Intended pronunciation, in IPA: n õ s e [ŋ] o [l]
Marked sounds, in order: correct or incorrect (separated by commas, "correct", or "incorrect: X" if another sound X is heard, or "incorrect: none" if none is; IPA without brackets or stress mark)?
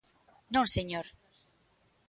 incorrect: ɲ, incorrect: ɾ